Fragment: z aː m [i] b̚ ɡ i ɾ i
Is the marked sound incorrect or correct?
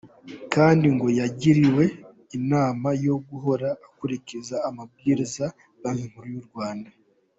incorrect